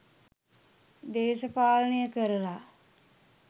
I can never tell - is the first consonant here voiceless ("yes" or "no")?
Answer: no